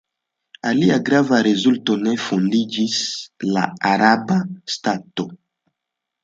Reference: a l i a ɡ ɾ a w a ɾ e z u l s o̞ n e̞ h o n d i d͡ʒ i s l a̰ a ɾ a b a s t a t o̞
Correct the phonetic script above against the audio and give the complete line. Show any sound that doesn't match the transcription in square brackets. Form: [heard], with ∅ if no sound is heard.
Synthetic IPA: a l i a ɡ ɾ a [v] a ɾ e z u l [t] o̞ n e̞ [f] o n d i d͡ʒ i s l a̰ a ɾ a b a s t a t o̞